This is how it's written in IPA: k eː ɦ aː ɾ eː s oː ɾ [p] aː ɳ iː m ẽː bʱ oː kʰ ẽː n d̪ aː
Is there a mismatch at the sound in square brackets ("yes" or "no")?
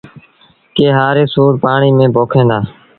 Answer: no